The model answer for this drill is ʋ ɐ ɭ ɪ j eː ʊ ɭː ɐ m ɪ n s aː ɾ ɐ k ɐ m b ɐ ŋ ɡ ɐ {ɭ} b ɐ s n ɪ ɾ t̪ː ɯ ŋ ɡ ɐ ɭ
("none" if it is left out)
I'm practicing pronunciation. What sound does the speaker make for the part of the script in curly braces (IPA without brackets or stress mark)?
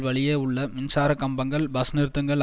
ɭ